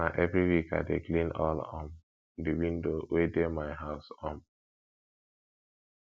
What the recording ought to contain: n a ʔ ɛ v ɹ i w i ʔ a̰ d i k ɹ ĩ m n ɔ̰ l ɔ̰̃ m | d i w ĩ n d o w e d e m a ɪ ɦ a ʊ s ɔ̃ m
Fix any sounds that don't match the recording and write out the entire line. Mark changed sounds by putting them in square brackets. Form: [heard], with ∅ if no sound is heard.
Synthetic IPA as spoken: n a ʔ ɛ v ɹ i w i [k] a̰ d [e] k [l] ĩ [∅] n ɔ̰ l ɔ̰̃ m | d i w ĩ n d o w e d e m a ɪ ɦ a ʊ s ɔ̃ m